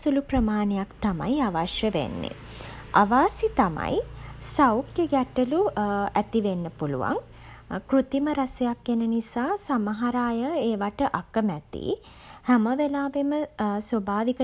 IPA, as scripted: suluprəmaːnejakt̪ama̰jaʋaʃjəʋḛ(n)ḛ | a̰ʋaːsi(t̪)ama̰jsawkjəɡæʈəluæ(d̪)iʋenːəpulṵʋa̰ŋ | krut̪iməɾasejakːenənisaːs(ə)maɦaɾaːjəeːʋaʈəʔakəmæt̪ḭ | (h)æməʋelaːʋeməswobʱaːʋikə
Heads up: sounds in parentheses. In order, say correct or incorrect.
incorrect: nː, correct, incorrect: t̪, incorrect: a, correct

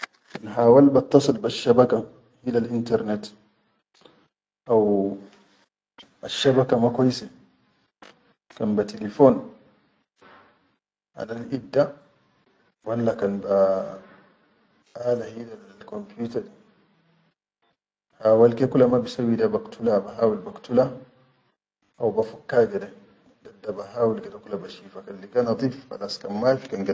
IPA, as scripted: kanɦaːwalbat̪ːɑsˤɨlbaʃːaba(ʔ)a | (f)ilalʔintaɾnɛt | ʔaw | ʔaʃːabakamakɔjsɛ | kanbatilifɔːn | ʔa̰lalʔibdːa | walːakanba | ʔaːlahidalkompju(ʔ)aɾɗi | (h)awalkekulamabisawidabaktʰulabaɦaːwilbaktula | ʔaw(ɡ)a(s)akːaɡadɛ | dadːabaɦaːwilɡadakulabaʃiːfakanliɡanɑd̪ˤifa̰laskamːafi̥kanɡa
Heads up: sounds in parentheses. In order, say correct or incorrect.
incorrect: k, incorrect: h, incorrect: t, correct, incorrect: b, incorrect: f

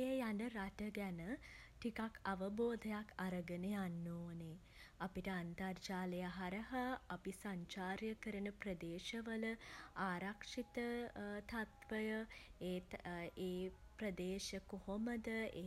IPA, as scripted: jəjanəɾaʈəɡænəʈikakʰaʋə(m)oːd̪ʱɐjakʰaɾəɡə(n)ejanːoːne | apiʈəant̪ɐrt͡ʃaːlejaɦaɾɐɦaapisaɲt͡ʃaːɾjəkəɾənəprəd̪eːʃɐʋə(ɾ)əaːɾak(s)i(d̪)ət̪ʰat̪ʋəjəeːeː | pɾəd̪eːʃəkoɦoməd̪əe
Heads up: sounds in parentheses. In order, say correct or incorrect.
incorrect: b, correct, incorrect: l, incorrect: ʂ, incorrect: t̪

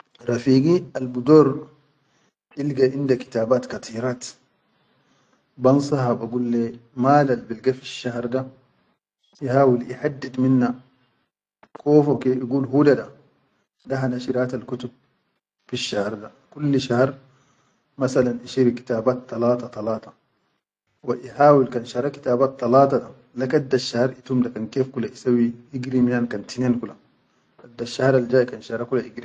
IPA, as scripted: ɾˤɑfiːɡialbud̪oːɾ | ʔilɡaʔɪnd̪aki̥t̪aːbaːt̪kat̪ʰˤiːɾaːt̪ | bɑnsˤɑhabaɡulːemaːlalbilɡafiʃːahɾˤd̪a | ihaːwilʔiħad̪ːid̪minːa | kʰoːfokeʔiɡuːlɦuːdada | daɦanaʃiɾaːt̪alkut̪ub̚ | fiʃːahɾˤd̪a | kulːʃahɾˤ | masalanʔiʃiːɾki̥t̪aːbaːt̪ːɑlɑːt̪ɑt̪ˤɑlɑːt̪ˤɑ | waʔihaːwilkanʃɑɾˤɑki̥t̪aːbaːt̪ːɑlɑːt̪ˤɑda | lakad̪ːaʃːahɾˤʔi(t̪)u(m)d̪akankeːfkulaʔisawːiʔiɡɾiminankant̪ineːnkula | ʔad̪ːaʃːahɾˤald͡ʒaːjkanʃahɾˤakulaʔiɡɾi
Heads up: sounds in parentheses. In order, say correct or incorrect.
correct, correct

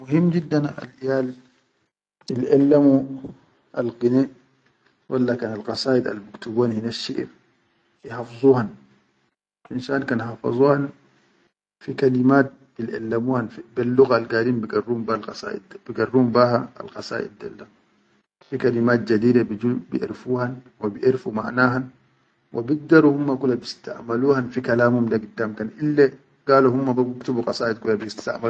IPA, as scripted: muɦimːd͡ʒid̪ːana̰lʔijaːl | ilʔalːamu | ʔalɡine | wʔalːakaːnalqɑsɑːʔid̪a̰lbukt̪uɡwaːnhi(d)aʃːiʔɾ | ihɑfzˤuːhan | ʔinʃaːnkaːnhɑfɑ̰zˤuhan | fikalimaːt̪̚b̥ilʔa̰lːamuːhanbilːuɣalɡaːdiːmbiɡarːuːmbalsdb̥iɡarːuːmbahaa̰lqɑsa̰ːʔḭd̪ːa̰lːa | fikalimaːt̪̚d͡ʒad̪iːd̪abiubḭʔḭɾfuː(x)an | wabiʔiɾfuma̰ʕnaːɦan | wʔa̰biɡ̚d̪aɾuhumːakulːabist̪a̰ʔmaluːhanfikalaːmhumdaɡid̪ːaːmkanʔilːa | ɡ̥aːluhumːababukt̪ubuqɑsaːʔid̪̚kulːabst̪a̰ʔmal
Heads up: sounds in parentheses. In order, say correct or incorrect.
incorrect: n, incorrect: h

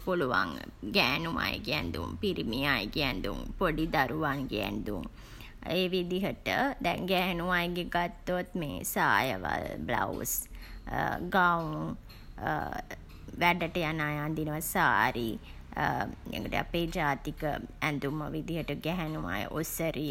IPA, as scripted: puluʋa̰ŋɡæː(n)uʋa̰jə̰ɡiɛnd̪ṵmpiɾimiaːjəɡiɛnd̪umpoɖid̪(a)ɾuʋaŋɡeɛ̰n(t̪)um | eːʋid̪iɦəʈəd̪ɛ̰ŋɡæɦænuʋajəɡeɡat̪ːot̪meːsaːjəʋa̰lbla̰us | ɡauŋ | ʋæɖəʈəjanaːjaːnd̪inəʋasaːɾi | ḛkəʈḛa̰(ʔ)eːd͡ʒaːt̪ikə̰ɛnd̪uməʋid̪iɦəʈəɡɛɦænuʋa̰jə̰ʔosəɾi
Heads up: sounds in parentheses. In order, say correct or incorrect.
correct, correct, incorrect: d̪, incorrect: p

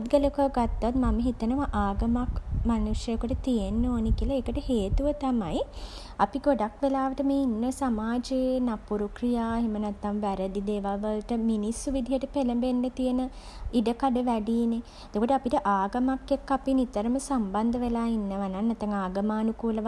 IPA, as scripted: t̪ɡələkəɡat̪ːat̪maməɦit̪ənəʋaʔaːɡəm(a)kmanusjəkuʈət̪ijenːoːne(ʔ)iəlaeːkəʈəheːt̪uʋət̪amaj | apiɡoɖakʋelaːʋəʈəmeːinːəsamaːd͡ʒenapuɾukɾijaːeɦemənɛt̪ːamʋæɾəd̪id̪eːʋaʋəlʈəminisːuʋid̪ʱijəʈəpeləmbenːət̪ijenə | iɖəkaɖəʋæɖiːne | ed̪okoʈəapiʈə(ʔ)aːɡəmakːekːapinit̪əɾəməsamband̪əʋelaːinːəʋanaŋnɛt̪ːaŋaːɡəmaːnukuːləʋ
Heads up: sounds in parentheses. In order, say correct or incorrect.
correct, incorrect: k, correct

